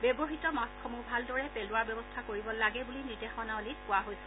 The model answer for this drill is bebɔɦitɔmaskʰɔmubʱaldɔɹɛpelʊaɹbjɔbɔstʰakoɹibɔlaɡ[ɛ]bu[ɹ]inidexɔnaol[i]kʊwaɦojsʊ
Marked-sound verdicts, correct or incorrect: correct, incorrect: l, correct

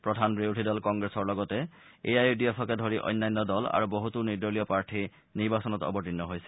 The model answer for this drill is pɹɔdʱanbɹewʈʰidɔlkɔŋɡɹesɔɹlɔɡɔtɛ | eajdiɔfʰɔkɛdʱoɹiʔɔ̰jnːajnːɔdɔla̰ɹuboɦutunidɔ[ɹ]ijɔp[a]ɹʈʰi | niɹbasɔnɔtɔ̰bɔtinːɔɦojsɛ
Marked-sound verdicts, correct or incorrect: incorrect: l, correct

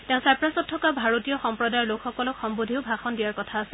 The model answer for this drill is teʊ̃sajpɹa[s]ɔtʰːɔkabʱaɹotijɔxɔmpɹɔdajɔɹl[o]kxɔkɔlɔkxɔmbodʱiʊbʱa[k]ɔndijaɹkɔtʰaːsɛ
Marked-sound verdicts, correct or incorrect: correct, correct, incorrect: x

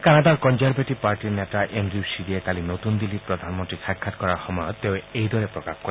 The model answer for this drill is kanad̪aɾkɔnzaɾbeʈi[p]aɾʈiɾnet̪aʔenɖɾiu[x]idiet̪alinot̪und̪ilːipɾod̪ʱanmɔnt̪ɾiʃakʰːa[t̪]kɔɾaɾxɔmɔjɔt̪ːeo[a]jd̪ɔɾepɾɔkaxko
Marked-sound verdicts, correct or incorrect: correct, incorrect: s, correct, incorrect: e

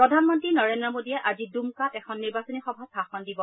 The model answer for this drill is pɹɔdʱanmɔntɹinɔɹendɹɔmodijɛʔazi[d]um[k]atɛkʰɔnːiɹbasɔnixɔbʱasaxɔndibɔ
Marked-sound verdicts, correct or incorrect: correct, correct

